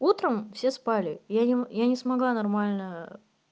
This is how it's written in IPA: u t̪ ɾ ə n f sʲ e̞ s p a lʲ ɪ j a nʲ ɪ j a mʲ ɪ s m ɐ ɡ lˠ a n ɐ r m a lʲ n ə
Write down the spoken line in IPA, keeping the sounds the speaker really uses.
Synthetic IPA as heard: u t̪ ɾ ə m f sʲ e̞ s p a lʲ ɪ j a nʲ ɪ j a nʲ ɪ s m ɐ ɡ lˠ a n ɐ r m a lʲ n ə